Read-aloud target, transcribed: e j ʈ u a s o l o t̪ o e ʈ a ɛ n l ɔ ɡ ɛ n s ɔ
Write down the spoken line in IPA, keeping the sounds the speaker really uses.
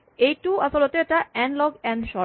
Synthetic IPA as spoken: e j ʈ u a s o l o t̪ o e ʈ a ɛ n l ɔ ɡ ɛ n ʃ ɔ